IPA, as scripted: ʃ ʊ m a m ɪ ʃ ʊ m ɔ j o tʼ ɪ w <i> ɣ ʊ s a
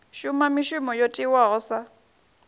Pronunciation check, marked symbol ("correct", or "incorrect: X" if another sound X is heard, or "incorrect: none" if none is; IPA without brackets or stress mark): incorrect: a